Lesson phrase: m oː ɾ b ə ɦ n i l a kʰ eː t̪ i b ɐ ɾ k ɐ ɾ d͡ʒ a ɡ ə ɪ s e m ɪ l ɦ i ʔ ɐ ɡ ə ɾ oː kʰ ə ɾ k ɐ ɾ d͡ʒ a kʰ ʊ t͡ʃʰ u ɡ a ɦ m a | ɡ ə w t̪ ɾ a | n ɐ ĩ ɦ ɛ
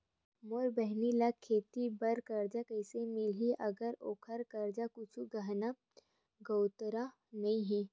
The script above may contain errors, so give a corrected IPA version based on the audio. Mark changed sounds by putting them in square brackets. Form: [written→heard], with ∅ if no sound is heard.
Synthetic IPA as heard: m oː ɾ b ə ɦ n i l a kʰ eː t̪ i b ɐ ɾ k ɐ ɾ d͡ʒ a [ɡ→k] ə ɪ s e m ɪ l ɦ i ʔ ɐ ɡ ə ɾ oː kʰ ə ɾ k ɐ ɾ d͡ʒ a [kʰ→k] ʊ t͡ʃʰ u ɡ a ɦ [m→n] a | ɡ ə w t̪ ɾ a | n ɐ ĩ ɦ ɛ